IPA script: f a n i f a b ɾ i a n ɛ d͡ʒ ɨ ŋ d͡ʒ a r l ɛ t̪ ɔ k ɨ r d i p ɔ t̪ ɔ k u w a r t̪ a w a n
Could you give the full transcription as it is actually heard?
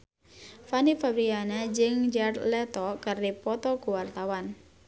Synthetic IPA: f a n i f a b ɾ i a n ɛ d͡ʒ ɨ ŋ d͡ʒ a r l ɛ t̪ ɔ k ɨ r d i p ɔ t̪ ɔ k u w a r t̪ a w a n

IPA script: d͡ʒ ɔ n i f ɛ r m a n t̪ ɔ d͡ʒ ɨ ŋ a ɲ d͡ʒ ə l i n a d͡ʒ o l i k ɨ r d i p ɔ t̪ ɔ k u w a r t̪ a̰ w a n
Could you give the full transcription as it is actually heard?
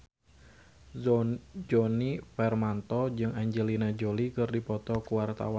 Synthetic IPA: d͡ʒ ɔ n i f ɛ r m a n t̪ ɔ d͡ʒ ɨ ŋ a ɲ d͡ʒ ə l i n a d͡ʒ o l i k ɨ r d i p ɔ t̪ ɔ k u w a r t̪ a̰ w a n

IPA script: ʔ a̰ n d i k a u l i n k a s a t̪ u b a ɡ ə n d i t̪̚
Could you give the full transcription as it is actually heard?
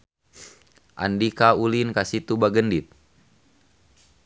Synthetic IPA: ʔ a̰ n d i k a u l i n k a s i t̪ u b a ɡ ə n d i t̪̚

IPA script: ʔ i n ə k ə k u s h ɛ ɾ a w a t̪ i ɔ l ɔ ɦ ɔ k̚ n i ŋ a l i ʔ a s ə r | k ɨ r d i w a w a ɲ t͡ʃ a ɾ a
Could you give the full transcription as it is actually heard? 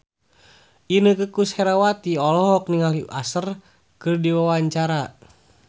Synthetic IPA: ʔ i n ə k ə k u s h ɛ ɾ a w a t̪ i ɔ l ɔ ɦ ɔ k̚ n i ŋ a l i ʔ a s ə r | k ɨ r d i w a w a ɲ t͡ʃ a ɾ a

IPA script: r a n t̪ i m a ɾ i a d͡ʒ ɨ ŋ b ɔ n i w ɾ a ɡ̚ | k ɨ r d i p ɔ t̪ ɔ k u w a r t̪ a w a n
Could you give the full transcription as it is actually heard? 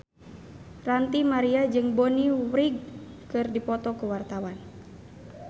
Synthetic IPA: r a n t̪ i m a ɾ i a d͡ʒ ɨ ŋ b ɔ n i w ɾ i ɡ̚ | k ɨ r d i p ɔ t̪ ɔ k u w a r t̪ a w a n

